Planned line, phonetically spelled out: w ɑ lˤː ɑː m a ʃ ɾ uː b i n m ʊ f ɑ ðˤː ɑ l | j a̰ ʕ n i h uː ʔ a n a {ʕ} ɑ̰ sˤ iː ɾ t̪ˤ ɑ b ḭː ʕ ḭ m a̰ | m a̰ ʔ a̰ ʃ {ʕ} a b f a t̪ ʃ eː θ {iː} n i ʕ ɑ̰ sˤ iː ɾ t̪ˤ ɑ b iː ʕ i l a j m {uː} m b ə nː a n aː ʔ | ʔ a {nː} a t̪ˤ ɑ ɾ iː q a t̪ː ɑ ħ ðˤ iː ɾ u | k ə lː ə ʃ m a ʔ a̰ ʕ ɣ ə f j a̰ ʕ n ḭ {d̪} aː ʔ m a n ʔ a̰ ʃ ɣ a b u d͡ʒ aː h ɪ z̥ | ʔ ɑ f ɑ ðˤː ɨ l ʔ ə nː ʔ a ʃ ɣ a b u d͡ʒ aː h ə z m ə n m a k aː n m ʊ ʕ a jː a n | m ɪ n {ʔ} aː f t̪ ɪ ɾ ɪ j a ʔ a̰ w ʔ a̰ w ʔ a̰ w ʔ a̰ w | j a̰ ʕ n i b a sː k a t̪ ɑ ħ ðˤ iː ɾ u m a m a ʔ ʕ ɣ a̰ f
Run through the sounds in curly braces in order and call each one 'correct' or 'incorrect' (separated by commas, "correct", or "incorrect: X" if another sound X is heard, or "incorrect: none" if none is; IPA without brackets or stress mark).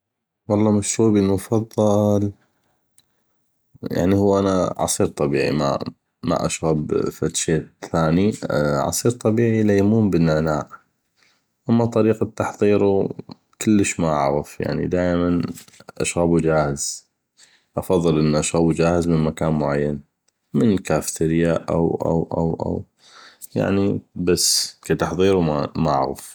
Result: correct, incorrect: ɣ, incorrect: aː, correct, incorrect: mː, correct, incorrect: k